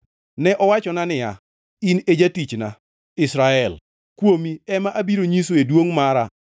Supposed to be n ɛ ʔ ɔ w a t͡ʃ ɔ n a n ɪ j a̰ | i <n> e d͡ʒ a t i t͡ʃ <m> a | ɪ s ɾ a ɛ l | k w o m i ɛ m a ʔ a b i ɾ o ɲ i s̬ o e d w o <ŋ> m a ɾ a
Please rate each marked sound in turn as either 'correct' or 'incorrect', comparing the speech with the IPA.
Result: correct, incorrect: n, correct

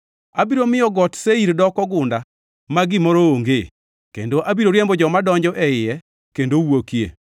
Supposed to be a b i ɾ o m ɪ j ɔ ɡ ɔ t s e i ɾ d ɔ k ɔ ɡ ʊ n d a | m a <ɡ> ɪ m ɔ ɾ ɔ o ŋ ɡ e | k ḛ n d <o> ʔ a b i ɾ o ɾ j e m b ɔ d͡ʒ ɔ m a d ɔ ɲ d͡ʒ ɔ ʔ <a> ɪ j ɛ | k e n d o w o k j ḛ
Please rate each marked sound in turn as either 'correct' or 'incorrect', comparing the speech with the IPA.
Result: correct, correct, incorrect: ɛ

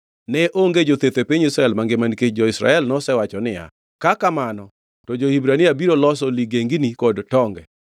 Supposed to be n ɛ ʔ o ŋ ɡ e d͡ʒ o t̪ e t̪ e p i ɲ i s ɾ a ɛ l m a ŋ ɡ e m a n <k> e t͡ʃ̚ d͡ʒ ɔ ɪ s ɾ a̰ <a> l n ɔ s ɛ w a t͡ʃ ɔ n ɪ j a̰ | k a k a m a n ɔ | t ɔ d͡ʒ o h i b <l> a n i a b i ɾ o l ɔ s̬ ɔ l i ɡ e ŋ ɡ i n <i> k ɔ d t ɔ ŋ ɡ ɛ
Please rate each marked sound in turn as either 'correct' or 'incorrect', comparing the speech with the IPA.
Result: correct, incorrect: ɛ, incorrect: ɾ, correct

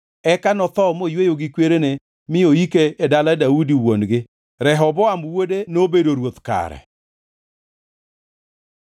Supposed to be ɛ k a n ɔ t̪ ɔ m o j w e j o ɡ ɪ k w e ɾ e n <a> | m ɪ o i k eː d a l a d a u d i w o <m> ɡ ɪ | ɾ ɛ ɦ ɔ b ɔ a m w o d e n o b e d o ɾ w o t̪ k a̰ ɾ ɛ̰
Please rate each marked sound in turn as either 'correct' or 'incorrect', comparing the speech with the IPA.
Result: incorrect: e, incorrect: n

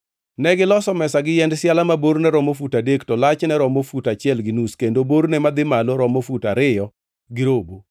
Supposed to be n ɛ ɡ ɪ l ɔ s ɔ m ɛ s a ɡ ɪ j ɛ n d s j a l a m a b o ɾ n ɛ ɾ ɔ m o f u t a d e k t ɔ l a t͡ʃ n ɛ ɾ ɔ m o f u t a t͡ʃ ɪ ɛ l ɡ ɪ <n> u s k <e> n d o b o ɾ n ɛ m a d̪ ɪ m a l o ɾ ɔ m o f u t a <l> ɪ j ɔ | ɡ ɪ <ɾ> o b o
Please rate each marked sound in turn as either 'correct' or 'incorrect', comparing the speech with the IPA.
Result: correct, correct, incorrect: ɾ, correct

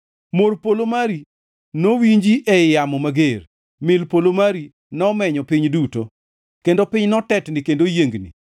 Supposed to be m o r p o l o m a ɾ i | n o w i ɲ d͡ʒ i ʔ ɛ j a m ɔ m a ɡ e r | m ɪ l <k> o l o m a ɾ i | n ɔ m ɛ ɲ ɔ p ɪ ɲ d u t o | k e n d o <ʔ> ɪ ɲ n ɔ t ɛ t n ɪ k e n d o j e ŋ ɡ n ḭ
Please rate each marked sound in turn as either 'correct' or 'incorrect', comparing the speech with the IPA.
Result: incorrect: p, incorrect: p

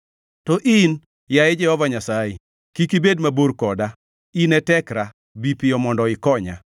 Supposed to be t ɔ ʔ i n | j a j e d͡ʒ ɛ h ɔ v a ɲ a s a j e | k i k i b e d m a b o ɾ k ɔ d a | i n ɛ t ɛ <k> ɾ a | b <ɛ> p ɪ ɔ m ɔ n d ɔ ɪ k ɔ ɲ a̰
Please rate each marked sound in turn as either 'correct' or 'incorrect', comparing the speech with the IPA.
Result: correct, incorrect: i

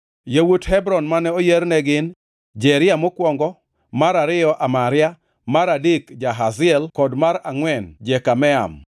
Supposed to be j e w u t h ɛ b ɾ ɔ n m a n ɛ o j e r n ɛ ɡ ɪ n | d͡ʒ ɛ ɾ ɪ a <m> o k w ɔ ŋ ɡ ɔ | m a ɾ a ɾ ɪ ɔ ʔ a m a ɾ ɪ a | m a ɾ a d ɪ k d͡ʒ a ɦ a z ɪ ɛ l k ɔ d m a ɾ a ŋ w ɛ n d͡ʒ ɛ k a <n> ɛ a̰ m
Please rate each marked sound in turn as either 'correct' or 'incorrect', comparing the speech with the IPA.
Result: correct, incorrect: m

